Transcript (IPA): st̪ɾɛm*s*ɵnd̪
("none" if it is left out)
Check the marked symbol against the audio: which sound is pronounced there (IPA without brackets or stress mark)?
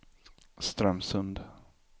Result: s